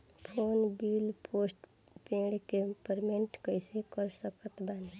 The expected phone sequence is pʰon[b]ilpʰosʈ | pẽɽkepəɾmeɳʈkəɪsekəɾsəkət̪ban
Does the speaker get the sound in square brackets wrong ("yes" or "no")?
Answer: no